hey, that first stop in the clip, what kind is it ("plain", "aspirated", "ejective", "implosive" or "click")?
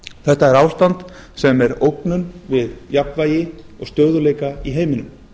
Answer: plain